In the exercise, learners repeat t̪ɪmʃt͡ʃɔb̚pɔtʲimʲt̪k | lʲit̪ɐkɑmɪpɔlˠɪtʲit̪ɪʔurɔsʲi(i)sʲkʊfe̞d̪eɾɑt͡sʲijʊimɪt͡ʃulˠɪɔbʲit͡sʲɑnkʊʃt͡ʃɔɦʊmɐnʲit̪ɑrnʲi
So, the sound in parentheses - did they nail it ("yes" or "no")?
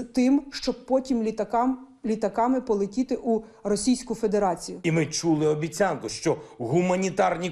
no